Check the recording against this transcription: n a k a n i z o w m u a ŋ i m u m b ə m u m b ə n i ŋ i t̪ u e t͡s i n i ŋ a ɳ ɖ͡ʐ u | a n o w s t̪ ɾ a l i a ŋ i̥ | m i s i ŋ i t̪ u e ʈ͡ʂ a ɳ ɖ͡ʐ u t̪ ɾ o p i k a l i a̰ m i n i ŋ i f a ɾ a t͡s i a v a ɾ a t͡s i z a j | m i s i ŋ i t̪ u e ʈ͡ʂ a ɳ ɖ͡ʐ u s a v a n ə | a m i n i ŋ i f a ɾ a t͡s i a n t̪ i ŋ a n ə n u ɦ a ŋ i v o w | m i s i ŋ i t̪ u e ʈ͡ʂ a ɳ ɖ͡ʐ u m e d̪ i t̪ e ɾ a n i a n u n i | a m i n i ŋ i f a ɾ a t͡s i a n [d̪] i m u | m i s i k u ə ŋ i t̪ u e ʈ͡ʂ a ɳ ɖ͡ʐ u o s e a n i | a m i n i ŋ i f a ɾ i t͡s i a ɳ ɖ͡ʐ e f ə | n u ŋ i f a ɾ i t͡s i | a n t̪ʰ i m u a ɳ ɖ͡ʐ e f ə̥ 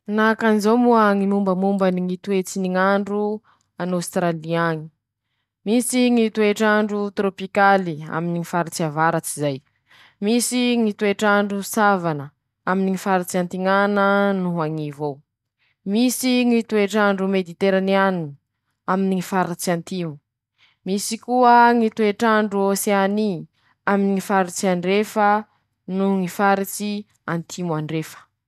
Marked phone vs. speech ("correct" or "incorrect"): incorrect